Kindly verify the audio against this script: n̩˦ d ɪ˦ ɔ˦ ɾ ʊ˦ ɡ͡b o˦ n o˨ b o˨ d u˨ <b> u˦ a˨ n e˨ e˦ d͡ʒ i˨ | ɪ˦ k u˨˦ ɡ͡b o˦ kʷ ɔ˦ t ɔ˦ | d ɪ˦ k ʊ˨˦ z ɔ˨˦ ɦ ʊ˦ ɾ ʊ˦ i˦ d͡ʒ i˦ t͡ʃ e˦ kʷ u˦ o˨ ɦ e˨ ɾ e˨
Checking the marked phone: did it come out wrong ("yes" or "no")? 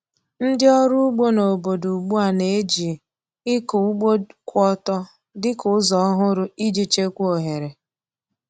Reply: yes